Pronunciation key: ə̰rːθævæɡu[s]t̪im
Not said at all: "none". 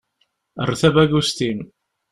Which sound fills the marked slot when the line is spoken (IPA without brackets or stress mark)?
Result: s